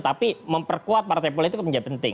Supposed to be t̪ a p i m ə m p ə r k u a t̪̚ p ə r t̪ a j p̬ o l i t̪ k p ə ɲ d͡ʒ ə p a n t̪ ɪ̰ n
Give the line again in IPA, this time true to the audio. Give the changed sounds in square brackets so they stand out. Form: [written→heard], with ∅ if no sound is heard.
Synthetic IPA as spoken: t̪ a p i m ə m p ə r k u a t̪̚ p [ə→a] r t̪ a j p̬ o l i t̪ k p ə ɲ d͡ʒ [ə→a] p [a→ə] n t̪ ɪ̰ [n→ŋ]